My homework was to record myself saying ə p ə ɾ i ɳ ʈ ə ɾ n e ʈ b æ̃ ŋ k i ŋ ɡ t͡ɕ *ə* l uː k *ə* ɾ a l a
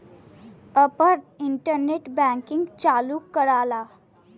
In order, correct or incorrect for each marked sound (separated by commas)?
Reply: incorrect, correct